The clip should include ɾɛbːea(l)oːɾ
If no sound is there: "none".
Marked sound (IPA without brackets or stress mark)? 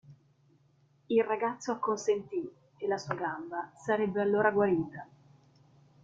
lː